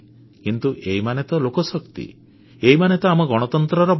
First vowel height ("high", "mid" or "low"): high